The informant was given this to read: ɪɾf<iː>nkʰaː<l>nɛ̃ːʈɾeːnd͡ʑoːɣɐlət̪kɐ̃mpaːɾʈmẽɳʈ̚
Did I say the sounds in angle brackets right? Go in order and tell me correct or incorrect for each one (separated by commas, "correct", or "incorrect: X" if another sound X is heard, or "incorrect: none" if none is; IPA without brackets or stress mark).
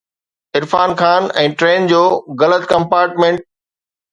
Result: incorrect: aː, incorrect: none